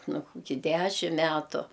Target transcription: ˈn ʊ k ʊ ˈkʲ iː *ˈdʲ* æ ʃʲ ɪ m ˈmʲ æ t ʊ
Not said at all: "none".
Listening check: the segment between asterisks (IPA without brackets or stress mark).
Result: dʲ